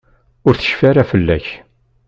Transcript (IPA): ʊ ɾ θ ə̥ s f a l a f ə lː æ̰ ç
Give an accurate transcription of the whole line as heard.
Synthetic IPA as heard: ʊ ɾ θ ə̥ ʃ f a ɾ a f ə lː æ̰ ç